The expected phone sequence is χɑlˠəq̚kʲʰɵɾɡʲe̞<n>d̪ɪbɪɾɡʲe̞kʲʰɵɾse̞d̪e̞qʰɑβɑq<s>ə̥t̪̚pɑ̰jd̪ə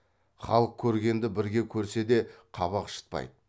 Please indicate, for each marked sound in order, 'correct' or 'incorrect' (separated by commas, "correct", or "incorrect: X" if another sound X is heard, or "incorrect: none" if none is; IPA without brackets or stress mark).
correct, incorrect: ʃ